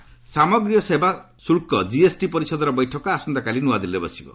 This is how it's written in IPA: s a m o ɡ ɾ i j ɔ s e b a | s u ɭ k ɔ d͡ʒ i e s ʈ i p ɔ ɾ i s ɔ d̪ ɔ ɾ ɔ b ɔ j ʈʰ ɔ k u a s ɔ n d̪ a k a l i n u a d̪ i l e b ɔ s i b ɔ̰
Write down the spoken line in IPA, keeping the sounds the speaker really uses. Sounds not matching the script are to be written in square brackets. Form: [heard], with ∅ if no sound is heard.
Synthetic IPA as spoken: s a m [ɔ] ɡ ɾ i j ɔ s e b a | s u ɭ k ɔ d͡ʒ i e s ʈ i p ɔ ɾ i s ɔ d̪ ɔ ɾ ɔ b ɔ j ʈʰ ɔ k [ɔ] a s ɔ n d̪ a k a l i n u a d̪ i l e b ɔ s i b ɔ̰